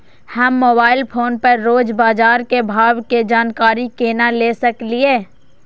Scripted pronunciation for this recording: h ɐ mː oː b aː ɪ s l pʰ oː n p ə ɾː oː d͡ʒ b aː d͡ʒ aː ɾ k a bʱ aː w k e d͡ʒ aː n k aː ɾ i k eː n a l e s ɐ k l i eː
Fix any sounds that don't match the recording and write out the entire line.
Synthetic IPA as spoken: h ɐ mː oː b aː ɪ l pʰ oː n p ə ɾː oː d͡ʒ b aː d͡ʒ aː ɾ k e bʱ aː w k e d͡ʒ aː n k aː ɾ i k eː n a l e s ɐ k l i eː